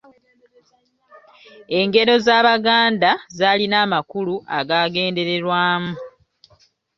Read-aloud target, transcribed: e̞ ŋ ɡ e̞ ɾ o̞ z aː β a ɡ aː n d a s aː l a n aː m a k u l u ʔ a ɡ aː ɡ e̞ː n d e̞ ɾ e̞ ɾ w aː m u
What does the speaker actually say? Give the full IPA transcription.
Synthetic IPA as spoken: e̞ ŋ ɡ e̞ ɾ o̞ z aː β a ɡ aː n d a z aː l i n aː m a k u l u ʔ a ɡ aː ɡ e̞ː n d e̞ ɾ e̞ ɾ w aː m u